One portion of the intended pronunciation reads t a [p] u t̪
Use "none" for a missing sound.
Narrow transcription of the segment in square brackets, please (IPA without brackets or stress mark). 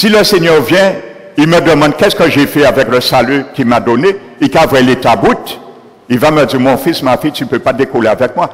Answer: b